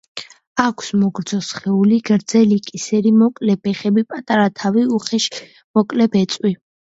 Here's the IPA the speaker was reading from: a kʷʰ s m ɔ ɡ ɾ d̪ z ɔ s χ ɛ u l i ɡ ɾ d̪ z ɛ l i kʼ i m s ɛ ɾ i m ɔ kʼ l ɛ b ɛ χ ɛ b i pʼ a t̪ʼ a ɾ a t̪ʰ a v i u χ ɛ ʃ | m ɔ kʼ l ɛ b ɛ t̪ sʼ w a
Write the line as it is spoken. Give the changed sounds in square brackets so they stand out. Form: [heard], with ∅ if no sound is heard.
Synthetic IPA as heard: a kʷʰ s m ɔ ɡ ɾ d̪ z ɔ s χ ɛ u l i ɡ ɾ d̪ z ɛ l i kʼ i [∅] s ɛ ɾ i m ɔ kʼ l ɛ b ɛ χ ɛ b i pʼ a t̪ʼ a ɾ a t̪ʰ a v i u χ ɛ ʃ | m ɔ kʼ l ɛ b ɛ t̪ sʼ w [i]